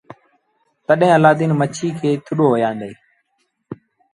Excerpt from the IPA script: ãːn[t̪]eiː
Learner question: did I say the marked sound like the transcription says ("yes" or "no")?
no